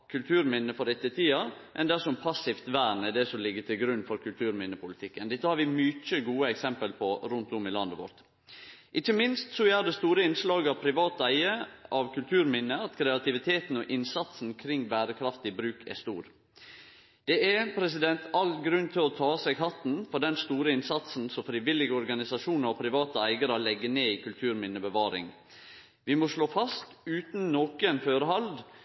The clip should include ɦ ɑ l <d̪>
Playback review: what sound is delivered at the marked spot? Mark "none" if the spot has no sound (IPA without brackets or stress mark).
d̪